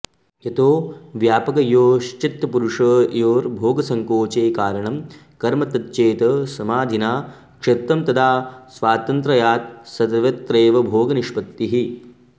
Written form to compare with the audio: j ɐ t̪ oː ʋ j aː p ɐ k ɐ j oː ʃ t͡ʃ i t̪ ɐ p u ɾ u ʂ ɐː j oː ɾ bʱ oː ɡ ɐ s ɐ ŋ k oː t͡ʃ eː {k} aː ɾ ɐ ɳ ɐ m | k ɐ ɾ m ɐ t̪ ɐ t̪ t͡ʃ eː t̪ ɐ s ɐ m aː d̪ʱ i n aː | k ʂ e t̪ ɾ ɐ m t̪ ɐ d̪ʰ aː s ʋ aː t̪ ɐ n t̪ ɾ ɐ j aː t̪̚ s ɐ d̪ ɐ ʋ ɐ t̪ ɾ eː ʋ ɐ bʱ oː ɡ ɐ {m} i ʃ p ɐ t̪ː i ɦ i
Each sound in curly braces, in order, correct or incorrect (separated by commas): correct, incorrect